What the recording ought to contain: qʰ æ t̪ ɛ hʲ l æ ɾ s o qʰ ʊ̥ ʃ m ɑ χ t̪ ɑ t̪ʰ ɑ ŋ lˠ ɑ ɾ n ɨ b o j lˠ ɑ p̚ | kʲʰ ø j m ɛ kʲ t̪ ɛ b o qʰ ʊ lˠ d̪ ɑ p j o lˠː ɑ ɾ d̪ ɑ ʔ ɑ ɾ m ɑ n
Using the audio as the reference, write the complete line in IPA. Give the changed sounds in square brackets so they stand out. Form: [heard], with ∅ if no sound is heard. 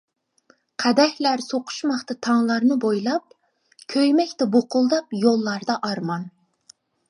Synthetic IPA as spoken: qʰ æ [d̪] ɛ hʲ l æ ɾ s o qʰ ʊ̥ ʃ m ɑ χ t̪ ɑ t̪ʰ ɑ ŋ lˠ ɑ ɾ n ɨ b o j lˠ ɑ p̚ | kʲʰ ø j m ɛ kʲ t̪ ɛ b o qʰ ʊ lˠ d̪ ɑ p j o lˠː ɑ ɾ d̪ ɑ ʔ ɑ ɾ m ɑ n